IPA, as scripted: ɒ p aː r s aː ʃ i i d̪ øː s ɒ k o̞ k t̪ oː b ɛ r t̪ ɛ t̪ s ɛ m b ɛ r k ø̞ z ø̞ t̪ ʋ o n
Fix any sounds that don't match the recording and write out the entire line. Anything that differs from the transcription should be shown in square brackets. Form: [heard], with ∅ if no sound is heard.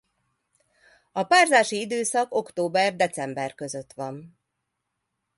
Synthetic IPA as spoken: ɒ p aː r [z] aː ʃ i i d̪ øː s ɒ k o̞ k t̪ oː b ɛ r [d̪] ɛ t̪ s ɛ m b ɛ r k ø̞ z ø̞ t̪ ʋ [ɒ] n